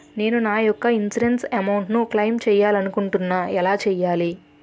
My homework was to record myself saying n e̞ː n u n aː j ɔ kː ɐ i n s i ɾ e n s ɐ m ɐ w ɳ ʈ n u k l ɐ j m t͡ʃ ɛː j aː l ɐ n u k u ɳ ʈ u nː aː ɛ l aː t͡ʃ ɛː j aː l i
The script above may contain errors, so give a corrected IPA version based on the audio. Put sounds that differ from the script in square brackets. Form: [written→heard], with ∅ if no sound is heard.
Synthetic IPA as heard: n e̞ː n u n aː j ɔ kː ɐ i n s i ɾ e n s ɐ m ɐ w ɳ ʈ n u k l ɐ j m t͡ʃ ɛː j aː l ɐ n u k u ɳ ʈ u nː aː ɛ l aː t͡ʃ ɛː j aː l i